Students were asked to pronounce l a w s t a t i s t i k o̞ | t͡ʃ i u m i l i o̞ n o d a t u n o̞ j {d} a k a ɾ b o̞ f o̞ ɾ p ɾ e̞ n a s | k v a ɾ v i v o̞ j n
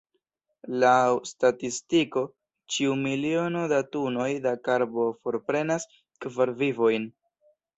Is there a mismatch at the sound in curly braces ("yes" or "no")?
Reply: no